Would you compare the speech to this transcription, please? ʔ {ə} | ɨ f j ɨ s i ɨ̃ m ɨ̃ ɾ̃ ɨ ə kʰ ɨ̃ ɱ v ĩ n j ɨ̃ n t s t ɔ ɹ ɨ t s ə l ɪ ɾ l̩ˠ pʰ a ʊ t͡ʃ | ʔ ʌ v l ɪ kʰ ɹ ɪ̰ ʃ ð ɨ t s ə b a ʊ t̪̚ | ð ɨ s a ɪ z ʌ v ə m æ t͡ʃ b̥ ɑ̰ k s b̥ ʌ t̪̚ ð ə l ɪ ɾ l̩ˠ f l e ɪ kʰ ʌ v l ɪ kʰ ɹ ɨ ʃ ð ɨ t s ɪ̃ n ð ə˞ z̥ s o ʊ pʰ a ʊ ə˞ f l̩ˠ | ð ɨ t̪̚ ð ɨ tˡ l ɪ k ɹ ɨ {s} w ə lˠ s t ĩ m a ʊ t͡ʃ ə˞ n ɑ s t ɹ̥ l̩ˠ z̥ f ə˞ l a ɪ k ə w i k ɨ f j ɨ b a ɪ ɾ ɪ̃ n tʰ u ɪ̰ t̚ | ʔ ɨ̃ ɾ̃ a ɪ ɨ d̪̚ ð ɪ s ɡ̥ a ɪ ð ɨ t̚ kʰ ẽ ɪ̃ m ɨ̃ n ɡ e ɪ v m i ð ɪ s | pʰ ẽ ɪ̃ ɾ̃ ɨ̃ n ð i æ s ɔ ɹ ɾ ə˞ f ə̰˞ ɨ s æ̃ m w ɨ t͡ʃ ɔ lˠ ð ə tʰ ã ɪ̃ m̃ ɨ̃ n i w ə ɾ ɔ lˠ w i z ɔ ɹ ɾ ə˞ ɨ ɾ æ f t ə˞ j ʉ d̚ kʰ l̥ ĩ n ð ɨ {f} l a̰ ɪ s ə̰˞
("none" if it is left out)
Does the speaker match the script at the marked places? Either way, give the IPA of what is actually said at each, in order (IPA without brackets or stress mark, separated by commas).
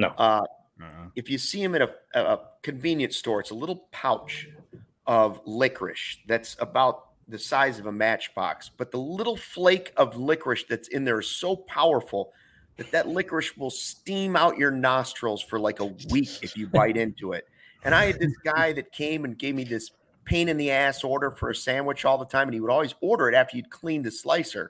ʌ, ʃ, s